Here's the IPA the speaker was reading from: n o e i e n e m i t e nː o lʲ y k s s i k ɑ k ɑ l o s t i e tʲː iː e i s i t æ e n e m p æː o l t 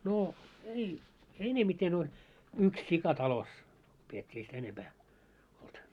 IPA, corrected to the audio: n o e i e n e m i t e n o lʲ y k s s i k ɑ t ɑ l o s p i e tʲː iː e i s i t æ e n e m p æː o l t